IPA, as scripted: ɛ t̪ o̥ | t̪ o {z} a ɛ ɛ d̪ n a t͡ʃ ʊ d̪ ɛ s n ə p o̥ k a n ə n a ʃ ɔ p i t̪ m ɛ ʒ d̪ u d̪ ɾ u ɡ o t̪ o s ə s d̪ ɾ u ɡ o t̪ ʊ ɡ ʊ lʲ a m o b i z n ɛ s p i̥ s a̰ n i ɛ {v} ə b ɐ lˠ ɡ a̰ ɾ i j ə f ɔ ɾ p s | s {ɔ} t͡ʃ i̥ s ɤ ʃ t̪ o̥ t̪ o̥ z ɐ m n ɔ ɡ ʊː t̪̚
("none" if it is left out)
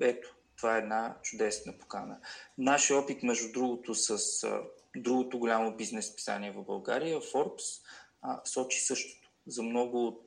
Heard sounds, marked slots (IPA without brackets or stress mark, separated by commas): v, v, ɔ